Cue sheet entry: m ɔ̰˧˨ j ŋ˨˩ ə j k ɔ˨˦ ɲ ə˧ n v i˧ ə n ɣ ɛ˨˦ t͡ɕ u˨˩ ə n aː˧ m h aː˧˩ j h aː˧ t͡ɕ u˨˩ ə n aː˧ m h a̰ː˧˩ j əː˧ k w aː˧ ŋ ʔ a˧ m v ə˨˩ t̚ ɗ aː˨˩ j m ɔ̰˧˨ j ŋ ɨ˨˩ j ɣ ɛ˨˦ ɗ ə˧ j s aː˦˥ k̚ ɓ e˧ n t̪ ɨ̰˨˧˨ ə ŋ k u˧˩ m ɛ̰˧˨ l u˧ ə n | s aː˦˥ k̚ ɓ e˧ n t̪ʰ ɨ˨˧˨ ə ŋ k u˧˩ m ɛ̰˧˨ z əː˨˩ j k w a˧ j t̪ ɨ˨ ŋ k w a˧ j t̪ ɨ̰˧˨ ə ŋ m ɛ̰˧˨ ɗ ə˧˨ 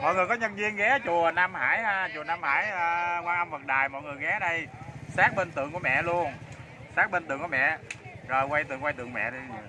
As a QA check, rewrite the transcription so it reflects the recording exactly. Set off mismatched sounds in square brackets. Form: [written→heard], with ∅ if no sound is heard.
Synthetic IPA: m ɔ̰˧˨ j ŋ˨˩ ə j k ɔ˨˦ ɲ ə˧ n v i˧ ə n ɣ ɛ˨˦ t͡ɕ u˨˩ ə n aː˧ m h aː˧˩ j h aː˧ t͡ɕ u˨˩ ə n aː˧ m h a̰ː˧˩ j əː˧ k w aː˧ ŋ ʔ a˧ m v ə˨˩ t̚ ɗ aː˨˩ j m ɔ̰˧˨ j ŋ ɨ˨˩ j ɣ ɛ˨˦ ɗ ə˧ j s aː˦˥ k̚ ɓ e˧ n t̪ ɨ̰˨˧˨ ə ŋ k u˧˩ m ɛ̰˧˨ l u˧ ə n | s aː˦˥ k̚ ɓ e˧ n [t̪ʰ→t̪] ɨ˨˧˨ ə ŋ k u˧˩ m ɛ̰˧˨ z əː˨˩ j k w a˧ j t̪ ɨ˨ ŋ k w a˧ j t̪ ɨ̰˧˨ ə ŋ m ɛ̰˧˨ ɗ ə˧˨